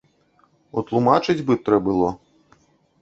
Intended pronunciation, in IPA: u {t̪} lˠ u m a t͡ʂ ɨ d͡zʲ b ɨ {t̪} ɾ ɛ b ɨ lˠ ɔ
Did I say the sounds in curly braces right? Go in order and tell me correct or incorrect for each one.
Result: correct, correct

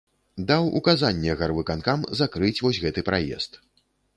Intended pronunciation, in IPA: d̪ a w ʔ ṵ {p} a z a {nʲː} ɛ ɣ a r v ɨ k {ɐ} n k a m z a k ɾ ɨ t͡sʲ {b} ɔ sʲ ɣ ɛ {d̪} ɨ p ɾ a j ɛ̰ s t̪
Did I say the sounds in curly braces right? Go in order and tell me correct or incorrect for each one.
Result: incorrect, correct, incorrect, incorrect, incorrect

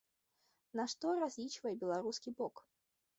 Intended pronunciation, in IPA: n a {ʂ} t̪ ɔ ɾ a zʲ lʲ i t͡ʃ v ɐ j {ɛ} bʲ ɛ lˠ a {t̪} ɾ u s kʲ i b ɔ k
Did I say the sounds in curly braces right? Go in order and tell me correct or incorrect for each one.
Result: correct, correct, incorrect

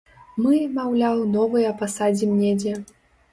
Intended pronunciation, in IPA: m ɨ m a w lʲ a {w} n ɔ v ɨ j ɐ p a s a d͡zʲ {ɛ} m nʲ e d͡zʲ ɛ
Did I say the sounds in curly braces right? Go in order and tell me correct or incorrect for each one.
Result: correct, incorrect

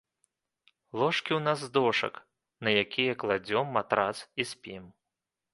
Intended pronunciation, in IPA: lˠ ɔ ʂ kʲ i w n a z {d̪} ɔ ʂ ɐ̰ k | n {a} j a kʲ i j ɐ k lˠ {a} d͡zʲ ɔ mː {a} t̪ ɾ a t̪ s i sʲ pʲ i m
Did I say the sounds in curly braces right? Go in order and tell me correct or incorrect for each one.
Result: correct, incorrect, correct, correct

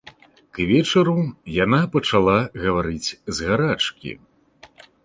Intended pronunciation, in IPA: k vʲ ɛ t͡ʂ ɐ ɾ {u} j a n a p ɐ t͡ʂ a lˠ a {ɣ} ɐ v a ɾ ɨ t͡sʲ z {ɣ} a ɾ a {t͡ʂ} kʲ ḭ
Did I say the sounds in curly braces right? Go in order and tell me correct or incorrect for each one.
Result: correct, correct, correct, correct

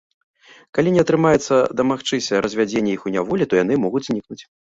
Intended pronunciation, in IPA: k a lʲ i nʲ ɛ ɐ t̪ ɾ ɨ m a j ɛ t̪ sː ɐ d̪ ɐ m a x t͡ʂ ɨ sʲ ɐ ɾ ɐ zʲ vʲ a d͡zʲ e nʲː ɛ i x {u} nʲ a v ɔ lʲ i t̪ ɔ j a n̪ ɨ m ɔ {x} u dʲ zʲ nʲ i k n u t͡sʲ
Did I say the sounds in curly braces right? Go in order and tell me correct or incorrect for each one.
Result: correct, incorrect

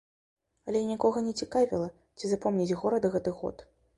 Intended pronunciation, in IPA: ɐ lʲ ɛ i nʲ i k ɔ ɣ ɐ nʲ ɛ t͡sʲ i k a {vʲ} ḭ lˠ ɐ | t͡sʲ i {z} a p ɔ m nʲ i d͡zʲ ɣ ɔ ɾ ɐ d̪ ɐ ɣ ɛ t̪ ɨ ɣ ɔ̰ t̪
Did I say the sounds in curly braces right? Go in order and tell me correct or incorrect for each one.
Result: correct, correct

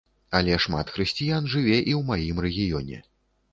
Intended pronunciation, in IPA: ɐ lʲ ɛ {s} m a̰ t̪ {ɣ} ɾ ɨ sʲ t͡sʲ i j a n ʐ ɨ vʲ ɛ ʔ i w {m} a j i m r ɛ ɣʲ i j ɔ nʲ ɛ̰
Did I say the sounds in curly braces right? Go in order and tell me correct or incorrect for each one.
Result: incorrect, incorrect, correct

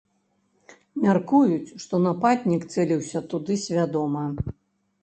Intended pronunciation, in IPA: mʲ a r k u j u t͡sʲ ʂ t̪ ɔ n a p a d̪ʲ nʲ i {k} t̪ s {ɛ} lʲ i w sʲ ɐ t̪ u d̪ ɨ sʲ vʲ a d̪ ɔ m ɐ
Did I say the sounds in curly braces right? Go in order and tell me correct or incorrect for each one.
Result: correct, correct

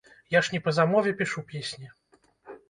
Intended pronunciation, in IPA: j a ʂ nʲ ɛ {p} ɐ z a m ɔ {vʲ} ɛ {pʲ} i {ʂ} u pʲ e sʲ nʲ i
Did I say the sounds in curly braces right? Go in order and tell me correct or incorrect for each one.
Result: correct, correct, correct, correct

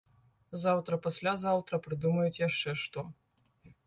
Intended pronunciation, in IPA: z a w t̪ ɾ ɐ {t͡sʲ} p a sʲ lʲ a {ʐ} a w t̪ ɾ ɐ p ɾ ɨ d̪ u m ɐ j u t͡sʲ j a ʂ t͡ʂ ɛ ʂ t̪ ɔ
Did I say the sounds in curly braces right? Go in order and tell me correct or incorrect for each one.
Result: incorrect, incorrect

